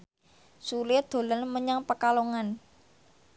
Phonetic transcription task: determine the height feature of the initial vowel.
high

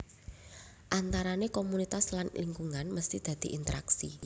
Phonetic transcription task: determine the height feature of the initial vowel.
low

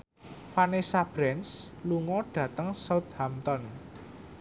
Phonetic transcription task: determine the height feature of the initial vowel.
low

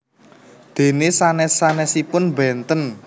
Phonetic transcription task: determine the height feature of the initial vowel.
mid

